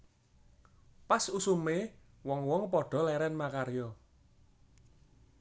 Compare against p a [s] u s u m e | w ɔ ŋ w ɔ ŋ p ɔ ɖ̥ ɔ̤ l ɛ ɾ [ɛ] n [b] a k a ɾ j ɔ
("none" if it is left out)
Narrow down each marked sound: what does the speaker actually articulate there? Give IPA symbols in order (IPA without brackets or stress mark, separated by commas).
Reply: s, ɛ, m